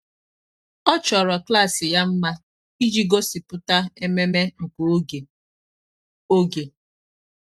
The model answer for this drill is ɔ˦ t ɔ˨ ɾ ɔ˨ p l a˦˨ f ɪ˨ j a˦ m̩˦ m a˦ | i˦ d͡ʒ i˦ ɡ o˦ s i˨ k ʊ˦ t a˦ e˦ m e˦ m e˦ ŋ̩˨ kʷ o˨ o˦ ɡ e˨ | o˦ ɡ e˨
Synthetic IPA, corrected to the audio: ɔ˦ t͡ʃ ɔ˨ ɾ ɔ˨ k l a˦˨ s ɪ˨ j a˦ m̩˦ m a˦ | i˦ d͡ʒ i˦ ɡ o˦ s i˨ p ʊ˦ t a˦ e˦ m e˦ m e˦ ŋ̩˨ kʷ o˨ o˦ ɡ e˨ | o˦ ɡ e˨